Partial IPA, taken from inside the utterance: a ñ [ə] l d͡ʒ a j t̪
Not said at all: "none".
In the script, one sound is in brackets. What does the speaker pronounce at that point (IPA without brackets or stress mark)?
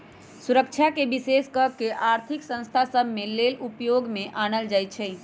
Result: ə